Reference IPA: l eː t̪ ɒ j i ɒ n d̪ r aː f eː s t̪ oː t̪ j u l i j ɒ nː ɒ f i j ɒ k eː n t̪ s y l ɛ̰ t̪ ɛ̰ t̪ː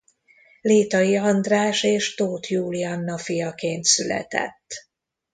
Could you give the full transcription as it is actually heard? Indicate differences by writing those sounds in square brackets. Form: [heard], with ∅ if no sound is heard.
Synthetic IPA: l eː t̪ ɒ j i ɒ n d̪ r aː [ʃ] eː [ʃ] t̪ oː t̪ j [uː] l i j ɒ nː ɒ f i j ɒ k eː n t̪ s y l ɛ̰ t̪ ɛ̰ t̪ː